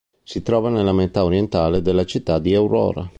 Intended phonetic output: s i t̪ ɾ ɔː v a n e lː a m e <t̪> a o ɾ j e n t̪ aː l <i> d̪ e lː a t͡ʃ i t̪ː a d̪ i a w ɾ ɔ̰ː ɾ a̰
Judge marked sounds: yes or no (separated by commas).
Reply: yes, no